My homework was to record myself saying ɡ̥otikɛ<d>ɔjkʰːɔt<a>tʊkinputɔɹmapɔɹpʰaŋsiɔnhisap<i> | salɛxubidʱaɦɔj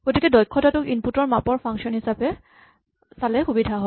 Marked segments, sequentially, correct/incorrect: correct, correct, incorrect

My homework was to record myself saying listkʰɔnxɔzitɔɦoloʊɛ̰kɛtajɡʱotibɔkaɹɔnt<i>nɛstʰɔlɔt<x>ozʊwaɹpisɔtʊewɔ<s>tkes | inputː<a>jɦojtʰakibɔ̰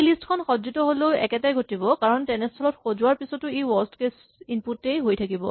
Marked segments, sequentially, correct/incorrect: incorrect, correct, correct, incorrect

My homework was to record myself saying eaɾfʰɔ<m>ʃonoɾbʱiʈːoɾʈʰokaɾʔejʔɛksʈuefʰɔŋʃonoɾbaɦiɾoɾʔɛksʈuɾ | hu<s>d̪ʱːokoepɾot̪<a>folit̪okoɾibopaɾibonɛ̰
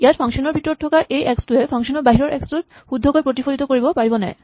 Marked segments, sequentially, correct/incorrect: incorrect, incorrect, incorrect

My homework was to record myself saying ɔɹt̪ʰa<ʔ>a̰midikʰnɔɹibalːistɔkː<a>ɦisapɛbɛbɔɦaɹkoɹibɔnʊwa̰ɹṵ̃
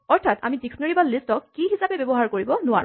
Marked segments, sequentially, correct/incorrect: incorrect, incorrect

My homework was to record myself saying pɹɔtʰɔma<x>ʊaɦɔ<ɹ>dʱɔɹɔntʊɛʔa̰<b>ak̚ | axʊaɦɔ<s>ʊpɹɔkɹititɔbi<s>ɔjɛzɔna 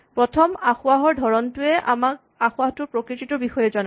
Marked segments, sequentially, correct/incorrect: correct, correct, incorrect, incorrect, incorrect

